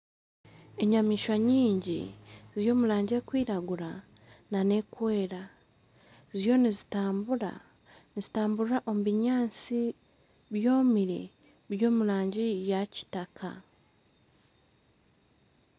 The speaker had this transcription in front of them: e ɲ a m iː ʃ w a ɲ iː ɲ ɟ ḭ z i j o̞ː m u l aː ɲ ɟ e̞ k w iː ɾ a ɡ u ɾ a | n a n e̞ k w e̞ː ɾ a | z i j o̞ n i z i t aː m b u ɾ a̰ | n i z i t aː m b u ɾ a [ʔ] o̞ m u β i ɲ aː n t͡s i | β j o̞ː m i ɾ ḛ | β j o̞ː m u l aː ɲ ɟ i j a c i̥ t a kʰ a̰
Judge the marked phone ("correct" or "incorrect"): correct